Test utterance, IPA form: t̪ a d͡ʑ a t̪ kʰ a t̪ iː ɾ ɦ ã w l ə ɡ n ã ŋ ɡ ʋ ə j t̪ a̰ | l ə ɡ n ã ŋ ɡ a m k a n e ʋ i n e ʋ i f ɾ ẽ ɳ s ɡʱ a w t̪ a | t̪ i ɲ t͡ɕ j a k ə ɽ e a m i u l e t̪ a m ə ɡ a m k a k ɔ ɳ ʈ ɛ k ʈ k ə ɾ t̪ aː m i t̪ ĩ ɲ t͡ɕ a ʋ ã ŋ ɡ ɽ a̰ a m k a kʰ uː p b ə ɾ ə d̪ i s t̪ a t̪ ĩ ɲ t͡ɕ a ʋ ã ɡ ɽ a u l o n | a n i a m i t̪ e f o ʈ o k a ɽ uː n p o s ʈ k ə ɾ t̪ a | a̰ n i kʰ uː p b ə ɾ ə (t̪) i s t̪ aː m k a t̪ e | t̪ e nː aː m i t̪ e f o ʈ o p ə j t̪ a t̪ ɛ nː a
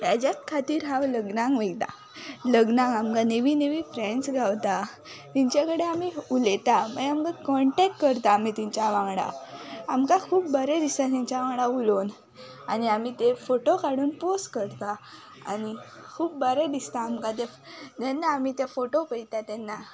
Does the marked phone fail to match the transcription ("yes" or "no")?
yes